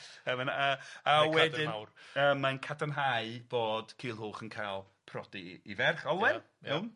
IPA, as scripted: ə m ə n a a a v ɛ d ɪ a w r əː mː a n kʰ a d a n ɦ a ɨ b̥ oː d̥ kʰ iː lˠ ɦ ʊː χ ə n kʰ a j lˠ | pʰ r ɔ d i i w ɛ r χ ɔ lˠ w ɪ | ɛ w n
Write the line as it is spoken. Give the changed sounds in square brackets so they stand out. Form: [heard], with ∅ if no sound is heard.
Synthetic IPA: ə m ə n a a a [w] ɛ d ɪ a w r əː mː a n kʰ a d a n ɦ a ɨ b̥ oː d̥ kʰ iː lˠ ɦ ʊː χ ə n kʰ a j lˠ | pʰ r ɔ d i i [v] ɛ r χ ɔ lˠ w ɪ | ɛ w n